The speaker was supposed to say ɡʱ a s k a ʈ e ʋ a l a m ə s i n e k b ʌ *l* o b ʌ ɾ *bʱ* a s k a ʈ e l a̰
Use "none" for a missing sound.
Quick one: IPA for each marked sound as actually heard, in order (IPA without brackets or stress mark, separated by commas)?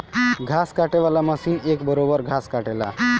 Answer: ɾ, ɡʱ